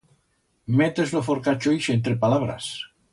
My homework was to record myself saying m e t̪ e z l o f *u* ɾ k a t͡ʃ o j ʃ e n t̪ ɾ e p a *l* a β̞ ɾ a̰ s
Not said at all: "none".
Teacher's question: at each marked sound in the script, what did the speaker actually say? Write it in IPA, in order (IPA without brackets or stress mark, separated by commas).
o, l